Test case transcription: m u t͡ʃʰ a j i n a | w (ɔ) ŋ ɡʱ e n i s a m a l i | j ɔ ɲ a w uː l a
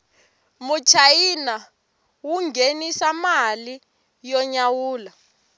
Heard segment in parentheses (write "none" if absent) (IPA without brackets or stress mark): u